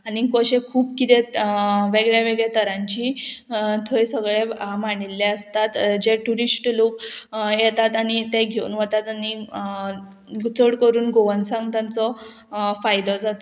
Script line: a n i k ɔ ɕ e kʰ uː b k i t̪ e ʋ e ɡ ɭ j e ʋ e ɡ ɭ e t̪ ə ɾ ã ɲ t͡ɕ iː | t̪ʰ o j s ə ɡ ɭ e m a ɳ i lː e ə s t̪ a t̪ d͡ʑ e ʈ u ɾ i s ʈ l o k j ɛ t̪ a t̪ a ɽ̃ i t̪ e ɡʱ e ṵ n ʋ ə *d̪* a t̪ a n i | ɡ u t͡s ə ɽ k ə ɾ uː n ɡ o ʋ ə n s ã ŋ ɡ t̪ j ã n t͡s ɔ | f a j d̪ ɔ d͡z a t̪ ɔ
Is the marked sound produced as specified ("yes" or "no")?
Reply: no